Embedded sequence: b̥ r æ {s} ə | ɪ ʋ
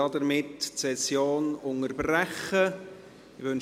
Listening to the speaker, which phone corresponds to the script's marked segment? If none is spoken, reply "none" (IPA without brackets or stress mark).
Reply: χ